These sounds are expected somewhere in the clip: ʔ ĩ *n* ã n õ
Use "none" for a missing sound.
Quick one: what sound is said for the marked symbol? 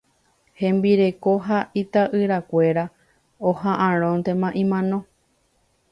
m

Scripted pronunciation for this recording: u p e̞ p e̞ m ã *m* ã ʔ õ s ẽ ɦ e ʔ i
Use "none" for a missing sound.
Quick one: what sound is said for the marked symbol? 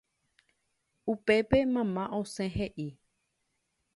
m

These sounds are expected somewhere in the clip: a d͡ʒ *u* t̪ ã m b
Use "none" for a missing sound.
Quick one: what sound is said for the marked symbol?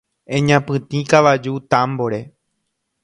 u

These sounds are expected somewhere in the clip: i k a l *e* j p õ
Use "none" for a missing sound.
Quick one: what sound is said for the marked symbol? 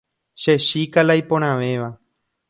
a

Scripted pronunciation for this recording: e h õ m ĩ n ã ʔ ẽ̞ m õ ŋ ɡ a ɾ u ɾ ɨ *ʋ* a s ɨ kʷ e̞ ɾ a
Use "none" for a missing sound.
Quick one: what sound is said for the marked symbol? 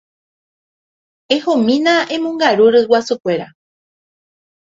w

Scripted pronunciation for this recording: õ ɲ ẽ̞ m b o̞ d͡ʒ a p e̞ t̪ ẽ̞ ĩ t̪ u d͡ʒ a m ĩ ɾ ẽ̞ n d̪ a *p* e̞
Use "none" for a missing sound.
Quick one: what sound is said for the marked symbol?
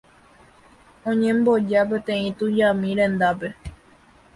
p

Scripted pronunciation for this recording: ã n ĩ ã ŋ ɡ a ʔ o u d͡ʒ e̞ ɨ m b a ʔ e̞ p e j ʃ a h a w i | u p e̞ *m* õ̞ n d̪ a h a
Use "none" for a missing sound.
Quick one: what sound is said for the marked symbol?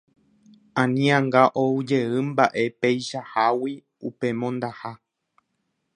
m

